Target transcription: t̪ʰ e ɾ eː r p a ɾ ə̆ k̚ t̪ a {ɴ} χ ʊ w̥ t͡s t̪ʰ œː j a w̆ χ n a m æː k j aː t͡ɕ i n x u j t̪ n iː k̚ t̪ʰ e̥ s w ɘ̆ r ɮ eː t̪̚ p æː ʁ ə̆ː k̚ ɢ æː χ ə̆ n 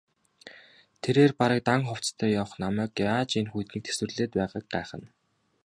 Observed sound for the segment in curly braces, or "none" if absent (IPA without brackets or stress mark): ŋ